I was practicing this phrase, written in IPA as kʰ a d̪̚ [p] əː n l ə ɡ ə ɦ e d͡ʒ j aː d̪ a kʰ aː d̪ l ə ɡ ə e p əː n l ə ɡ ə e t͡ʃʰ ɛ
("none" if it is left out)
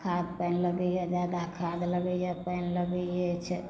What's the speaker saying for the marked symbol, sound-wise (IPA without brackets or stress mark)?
p